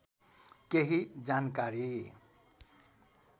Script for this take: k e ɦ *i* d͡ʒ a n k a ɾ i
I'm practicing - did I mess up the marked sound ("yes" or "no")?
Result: no